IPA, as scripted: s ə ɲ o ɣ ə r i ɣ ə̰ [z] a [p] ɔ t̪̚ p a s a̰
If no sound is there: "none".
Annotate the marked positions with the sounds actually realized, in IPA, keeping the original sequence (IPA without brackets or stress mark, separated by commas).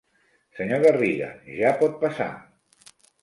ʒ, p